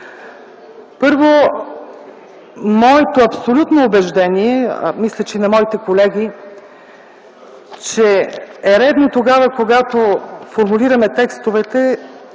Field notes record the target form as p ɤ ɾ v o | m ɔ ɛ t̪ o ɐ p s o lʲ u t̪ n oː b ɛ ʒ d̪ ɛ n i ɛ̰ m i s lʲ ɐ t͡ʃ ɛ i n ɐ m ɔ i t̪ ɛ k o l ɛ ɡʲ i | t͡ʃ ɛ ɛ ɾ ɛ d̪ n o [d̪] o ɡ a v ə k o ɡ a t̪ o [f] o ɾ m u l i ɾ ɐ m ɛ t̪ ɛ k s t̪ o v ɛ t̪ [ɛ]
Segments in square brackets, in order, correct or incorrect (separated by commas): incorrect, correct, correct